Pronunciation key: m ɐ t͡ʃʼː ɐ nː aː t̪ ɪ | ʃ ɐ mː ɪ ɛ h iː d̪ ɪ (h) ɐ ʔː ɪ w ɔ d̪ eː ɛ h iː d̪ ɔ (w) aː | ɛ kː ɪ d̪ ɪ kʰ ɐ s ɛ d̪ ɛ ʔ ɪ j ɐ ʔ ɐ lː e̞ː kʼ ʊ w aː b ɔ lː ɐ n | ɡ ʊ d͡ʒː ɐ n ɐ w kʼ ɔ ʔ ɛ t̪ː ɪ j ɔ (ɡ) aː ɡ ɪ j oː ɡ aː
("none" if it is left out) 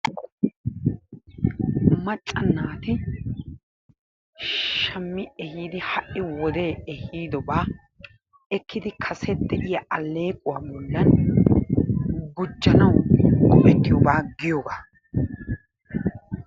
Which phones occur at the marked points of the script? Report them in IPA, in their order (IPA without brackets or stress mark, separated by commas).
h, b, b